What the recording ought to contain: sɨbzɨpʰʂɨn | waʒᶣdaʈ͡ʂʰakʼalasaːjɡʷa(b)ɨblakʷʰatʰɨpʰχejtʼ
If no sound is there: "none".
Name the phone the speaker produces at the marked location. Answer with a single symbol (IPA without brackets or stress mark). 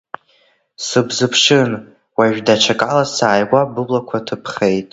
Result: b